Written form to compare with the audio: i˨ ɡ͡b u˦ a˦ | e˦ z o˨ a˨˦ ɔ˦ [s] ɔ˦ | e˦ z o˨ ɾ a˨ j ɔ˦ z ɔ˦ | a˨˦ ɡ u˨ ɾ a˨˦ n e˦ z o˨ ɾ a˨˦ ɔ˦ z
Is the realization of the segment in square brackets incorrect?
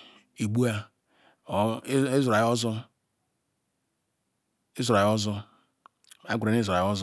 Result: yes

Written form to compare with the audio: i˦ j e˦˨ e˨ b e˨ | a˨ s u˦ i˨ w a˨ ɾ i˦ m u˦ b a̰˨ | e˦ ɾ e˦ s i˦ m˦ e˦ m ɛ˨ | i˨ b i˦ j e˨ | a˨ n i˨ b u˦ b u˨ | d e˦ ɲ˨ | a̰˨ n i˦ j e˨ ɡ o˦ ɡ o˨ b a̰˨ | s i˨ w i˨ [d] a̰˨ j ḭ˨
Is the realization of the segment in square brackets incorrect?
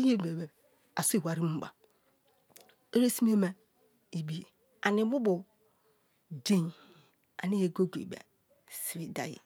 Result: no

